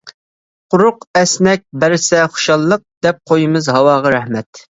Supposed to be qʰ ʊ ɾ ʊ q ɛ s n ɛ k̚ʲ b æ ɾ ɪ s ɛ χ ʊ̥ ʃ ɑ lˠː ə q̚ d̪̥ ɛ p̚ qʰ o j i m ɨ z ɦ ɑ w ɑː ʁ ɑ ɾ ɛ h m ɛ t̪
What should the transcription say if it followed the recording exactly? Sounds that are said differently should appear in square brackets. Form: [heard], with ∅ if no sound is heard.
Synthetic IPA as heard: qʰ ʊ ɾ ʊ q ɛ s n ɛ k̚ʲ b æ ɾ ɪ s ɛ χ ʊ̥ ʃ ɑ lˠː ə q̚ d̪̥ ɛ p̚ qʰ o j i m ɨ z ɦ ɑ w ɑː ʁ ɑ ɾ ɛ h m ɛ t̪